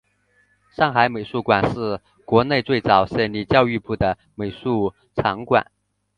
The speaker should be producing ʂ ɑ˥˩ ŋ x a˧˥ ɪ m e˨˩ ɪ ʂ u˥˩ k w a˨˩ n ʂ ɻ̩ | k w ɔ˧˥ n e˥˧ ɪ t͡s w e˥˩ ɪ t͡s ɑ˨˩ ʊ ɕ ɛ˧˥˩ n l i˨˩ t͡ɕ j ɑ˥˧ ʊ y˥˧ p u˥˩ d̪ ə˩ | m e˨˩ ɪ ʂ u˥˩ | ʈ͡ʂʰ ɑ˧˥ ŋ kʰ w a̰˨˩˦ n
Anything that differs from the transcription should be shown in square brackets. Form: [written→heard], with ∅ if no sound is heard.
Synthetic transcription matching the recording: ʂ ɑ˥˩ ŋ x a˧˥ ɪ m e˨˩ ɪ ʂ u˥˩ k w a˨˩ n ʂ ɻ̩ | k w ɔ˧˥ n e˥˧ ɪ t͡s w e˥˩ ɪ t͡s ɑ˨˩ ʊ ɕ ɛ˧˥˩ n l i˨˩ t͡ɕ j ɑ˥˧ ʊ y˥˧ p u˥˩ d̪ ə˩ | m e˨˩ ɪ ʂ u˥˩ | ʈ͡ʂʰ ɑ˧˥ ŋ [kʰ→k] w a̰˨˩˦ n

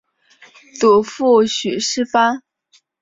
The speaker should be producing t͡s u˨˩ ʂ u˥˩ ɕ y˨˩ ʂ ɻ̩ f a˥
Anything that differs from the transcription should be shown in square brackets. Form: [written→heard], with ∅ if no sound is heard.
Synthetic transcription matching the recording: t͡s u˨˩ [ʂ→f] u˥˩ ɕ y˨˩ ʂ ɻ̩ f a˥

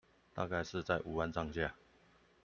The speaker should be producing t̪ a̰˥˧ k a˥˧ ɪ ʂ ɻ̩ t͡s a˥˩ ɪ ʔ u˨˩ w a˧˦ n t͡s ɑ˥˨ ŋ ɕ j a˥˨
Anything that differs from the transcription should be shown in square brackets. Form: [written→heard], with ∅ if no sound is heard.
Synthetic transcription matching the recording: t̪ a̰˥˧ k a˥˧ ɪ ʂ ɻ̩ t͡s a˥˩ ɪ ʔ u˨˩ w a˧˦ n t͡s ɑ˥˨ ŋ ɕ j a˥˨

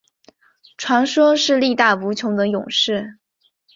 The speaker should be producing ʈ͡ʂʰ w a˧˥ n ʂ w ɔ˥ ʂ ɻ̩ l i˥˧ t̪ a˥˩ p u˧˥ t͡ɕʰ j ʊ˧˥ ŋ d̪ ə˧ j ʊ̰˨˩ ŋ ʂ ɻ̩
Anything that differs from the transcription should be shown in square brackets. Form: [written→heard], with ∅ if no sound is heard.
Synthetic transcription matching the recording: ʈ͡ʂʰ w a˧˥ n ʂ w ɔ˥ ʂ ɻ̩ l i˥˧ t̪ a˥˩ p u˧˥ t͡ɕʰ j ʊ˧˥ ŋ d̪ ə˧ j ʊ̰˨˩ ŋ ʂ ɻ̩

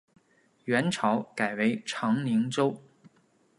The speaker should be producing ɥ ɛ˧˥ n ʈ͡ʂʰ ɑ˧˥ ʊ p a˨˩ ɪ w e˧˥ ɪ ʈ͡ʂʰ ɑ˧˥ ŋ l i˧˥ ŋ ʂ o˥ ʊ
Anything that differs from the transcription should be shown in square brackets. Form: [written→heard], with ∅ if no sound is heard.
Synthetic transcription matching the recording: ɥ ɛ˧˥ n ʈ͡ʂʰ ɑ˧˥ ʊ [p→k] a˨˩ ɪ w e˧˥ ɪ ʈ͡ʂʰ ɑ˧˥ ŋ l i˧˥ ŋ [ʂ→ʈ͡ʂ] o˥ ʊ

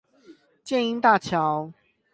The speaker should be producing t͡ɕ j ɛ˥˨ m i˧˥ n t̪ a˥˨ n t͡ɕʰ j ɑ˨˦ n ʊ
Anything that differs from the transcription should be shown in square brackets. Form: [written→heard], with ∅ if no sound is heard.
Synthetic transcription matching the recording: t͡ɕ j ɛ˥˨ [m→n] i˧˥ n t̪ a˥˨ [n→∅] t͡ɕʰ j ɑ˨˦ [n→∅] ʊ

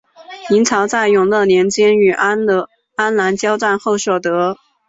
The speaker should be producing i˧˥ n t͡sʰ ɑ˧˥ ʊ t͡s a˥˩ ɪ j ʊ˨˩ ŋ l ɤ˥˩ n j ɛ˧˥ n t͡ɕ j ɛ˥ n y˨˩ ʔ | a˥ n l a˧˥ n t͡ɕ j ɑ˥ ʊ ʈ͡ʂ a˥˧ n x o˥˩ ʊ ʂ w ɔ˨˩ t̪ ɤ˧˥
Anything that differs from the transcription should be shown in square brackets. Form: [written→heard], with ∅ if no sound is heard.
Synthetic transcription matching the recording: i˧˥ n t͡sʰ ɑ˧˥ ʊ t͡s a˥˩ ɪ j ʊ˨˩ ŋ l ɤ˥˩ n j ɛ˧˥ n t͡ɕ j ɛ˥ n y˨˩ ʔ | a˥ n l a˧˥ n t͡ɕ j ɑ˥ ʊ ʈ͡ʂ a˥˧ n x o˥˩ ʊ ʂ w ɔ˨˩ t̪ ɤ˧˥

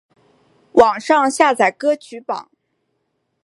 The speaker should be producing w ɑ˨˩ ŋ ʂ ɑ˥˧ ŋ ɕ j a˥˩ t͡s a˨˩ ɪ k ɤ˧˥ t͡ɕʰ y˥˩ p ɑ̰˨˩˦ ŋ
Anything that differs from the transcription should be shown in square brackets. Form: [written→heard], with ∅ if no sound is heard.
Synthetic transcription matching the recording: w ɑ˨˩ ŋ ʂ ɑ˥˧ ŋ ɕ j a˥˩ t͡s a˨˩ ɪ k [ɤ˧˥→ɤ˥] t͡ɕʰ [y˥˩→y˧˥] p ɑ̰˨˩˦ ŋ

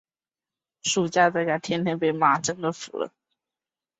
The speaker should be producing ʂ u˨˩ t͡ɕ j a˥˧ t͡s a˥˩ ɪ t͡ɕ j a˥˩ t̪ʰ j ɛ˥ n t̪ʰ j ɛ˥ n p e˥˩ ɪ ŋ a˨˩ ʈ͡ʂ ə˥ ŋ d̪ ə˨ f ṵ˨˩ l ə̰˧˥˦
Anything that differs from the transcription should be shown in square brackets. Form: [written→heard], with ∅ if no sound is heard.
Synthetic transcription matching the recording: ʂ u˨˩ t͡ɕ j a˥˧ t͡s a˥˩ ɪ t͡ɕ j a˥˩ t̪ʰ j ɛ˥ n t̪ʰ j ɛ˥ n p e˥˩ ɪ [ŋ→m] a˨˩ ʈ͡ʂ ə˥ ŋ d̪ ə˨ f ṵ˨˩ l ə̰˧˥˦

